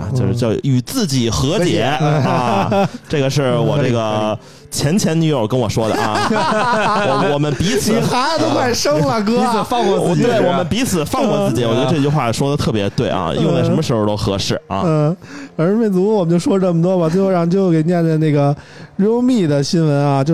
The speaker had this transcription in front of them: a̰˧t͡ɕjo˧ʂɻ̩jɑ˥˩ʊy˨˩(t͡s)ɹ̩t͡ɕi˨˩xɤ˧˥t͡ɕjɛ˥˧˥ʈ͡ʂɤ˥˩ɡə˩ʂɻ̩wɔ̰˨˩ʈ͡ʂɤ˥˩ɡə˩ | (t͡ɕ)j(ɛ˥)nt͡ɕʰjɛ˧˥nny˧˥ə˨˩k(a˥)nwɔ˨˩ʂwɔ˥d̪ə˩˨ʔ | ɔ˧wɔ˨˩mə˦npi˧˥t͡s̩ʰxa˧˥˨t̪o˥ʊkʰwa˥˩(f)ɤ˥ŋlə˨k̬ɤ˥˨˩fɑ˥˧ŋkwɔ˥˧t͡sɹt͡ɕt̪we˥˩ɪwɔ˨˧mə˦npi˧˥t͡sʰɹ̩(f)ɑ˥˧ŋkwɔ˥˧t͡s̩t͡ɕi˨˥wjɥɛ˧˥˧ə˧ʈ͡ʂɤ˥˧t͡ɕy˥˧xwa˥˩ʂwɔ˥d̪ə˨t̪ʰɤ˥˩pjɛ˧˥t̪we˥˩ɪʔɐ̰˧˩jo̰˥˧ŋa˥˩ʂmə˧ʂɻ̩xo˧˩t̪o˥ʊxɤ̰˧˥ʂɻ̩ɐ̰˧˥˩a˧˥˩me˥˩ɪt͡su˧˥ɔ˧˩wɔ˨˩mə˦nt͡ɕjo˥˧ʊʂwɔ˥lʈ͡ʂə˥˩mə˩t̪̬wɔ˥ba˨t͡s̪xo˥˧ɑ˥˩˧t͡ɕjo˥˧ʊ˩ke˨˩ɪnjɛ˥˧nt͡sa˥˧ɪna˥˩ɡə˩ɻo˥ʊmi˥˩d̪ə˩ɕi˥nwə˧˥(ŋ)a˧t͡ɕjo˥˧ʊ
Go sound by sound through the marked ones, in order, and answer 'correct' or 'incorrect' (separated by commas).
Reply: correct, incorrect, incorrect, incorrect, incorrect, correct, incorrect